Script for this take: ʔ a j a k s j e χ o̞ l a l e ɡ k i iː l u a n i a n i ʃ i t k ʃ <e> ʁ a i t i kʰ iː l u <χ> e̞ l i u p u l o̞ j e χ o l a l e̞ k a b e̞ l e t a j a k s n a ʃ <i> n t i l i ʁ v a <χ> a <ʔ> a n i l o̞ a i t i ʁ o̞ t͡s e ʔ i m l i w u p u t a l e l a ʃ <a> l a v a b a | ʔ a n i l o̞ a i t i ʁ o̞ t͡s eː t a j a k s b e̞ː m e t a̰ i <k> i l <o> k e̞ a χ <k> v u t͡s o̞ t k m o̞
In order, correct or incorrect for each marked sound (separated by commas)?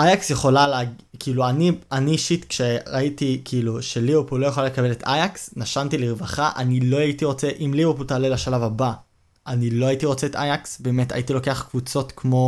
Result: correct, incorrect, incorrect, correct, correct, correct, incorrect, correct, correct